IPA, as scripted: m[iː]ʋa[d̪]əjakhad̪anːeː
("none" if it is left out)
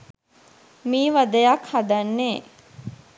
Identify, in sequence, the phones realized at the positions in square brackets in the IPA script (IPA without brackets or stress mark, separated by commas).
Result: iː, d̪